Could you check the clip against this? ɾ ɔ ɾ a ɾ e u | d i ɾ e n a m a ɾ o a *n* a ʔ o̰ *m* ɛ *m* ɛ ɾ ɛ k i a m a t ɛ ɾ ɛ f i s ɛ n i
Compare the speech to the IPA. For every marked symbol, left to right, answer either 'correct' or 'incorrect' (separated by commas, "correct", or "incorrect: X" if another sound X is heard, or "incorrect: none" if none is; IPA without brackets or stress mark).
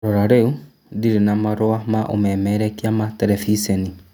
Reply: incorrect: m, correct, correct